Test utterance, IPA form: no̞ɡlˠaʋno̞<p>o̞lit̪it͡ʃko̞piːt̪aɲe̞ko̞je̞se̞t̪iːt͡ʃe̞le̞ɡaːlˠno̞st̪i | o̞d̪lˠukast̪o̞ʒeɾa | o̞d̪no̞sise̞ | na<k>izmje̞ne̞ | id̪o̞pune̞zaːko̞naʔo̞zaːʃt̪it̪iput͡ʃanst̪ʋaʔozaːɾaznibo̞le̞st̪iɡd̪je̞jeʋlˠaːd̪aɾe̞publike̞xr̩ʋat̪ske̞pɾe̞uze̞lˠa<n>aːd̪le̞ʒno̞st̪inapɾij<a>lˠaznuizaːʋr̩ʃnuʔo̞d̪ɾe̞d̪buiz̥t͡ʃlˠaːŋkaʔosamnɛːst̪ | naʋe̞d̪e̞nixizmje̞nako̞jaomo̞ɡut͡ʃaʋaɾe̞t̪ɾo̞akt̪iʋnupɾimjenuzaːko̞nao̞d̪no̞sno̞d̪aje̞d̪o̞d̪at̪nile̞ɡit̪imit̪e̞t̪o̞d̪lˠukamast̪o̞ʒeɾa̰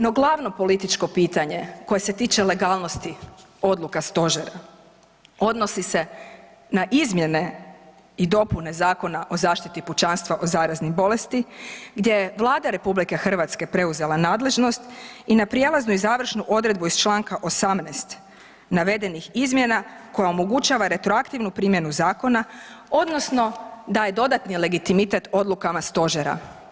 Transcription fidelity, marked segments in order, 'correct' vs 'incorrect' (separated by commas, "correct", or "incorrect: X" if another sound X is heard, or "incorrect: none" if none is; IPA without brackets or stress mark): correct, incorrect: ʔ, correct, incorrect: e